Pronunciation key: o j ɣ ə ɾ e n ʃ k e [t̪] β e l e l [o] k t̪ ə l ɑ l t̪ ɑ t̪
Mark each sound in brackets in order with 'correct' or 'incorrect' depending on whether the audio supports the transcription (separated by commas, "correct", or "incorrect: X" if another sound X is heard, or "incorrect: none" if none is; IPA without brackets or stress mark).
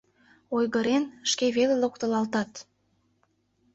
incorrect: none, correct